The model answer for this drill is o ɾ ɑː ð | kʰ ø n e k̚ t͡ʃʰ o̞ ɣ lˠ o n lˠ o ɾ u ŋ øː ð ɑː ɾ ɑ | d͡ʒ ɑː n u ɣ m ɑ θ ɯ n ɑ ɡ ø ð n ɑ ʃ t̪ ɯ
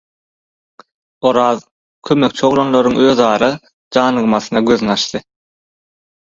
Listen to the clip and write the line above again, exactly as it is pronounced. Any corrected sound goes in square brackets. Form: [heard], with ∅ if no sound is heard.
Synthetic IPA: o ɾ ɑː ð | kʰ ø [m] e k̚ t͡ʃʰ o̞ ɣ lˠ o n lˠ o ɾ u ŋ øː ð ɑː ɾ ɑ | d͡ʒ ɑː n [ɯ] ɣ m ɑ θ ɯ n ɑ ɡ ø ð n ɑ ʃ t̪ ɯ